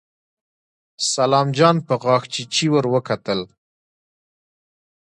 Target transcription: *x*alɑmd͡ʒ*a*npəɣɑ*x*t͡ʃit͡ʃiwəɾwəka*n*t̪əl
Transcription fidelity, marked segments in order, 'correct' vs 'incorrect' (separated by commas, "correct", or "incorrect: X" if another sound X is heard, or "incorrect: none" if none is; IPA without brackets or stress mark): incorrect: s, incorrect: ɑ, correct, incorrect: none